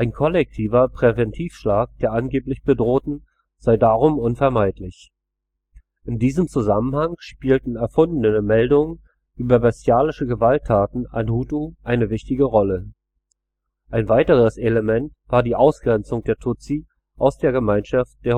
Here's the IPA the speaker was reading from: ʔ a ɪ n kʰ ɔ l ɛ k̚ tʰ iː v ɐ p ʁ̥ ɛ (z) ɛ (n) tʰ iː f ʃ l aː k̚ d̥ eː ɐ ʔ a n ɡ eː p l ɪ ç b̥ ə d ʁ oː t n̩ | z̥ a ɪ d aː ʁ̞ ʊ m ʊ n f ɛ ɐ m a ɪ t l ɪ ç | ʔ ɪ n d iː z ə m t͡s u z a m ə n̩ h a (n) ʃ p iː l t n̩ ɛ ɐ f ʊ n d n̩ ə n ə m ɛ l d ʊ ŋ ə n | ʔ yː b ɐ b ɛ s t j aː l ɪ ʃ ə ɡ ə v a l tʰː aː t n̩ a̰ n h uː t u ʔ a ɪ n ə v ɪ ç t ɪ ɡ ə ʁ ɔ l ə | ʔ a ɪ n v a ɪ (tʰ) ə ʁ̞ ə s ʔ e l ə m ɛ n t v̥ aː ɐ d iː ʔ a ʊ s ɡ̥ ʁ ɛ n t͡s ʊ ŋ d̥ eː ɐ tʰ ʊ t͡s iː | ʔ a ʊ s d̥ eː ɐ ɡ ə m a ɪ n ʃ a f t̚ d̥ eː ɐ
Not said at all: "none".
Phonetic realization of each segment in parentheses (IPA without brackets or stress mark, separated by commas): v, n, ŋ, t